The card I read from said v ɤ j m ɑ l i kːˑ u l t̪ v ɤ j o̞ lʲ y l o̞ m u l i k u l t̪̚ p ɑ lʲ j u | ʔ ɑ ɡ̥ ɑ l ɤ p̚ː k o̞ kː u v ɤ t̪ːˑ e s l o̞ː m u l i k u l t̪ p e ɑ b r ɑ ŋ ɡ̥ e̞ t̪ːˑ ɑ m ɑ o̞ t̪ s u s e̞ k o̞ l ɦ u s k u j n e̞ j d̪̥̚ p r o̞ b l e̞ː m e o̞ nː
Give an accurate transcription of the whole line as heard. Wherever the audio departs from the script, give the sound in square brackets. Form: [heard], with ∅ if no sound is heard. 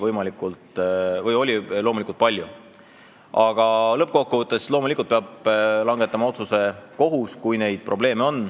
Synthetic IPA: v ɤ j m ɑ l i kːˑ u l t̪ v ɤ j o̞ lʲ [i] l o̞ m u l i k u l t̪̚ p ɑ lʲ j u | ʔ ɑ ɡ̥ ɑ l ɤ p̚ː k o̞ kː u v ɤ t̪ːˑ e s l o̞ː m u l i k u l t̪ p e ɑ b [l] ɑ ŋ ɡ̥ e̞ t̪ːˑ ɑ m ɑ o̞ t̪ s u s e̞ k o̞ [∅] ɦ u s k u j n e̞ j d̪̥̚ p r o̞ b l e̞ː m e o̞ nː